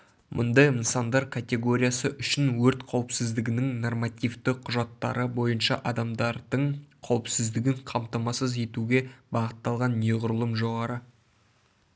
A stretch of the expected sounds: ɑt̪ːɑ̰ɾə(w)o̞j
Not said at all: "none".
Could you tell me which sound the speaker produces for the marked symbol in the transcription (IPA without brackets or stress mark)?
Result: b